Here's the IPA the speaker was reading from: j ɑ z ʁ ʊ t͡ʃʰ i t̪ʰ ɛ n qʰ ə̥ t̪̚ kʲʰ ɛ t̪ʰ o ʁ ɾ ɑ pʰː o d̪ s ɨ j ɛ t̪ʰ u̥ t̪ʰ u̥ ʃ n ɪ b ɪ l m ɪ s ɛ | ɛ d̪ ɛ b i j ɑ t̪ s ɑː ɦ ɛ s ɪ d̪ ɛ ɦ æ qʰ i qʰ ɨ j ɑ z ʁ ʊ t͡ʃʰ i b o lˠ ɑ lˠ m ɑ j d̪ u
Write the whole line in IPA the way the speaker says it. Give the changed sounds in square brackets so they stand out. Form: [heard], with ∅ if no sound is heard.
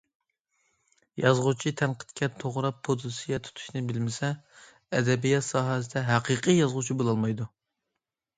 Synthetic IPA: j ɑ z ʁ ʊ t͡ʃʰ i t̪ʰ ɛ n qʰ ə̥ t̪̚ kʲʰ ɛ t̪ʰ o ʁ ɾ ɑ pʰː o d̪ s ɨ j ɛ t̪ʰ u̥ t̪ʰ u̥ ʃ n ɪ b ɪ l m ɪ s ɛ | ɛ d̪ ɛ b i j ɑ t̪ s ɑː ɦ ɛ s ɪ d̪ ɛ ɦ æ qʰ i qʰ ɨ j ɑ z ʁ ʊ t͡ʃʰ i b o lˠ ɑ lˠ m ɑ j d̪ u